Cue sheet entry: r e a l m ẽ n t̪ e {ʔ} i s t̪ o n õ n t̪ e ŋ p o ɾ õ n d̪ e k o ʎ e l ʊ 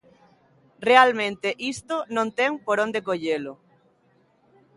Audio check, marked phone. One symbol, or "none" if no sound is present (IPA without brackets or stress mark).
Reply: ʔ